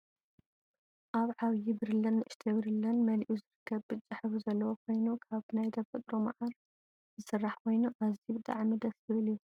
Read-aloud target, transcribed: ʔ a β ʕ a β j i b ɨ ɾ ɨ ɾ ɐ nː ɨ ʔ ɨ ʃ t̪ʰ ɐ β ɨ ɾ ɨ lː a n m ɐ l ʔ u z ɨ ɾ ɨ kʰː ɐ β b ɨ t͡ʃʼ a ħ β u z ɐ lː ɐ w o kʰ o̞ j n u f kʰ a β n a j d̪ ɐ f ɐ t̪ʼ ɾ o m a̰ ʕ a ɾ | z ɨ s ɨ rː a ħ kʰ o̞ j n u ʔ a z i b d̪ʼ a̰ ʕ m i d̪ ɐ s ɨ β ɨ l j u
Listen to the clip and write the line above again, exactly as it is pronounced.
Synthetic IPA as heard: ʔ a β ʕ a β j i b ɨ ɾ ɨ l ɐ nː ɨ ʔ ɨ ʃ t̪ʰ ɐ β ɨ ɾ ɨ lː ɐ n m ɐ l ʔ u z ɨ ɾ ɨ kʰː ɐ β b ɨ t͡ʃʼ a ħ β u z ɐ lː ɐ w o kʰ o̞ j n u kʰ a β n a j d̪ ɐ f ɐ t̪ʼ ɾ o m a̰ ʕ a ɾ | z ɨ s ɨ rː a ħ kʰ o̞ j n u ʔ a z i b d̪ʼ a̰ ʕ m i d̪ ɐ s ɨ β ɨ l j u